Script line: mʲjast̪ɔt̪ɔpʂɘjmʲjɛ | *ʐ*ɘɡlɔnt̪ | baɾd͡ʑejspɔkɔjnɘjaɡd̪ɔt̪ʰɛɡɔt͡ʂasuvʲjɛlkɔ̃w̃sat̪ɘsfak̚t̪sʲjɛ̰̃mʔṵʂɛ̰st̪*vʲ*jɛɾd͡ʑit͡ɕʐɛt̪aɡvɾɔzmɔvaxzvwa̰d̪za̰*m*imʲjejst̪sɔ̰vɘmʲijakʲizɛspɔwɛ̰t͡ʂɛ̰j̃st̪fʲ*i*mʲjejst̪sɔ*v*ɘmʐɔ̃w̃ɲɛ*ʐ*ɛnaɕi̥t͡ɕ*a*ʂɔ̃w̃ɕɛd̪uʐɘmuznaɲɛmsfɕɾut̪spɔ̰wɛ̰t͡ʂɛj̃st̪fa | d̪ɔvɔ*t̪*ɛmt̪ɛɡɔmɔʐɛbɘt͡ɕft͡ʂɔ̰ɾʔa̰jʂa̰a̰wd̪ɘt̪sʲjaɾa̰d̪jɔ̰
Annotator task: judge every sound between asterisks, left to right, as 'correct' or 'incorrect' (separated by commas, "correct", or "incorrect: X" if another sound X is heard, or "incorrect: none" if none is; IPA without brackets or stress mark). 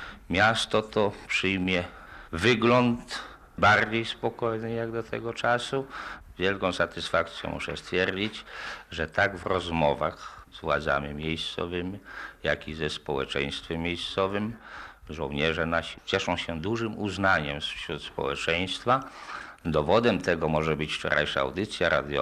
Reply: incorrect: v, incorrect: fʲ, correct, incorrect: ɛ, correct, correct, incorrect: ɛ, incorrect: d̪